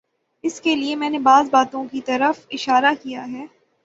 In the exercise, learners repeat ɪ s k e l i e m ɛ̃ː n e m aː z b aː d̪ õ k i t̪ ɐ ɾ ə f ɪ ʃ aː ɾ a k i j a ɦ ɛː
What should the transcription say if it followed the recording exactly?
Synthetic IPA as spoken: ɪ s k e l i e m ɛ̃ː n e b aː z b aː t̪ õ k i t̪ ɐ ɾ ə f ɪ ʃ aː ɾ a k i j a ɦ ɛː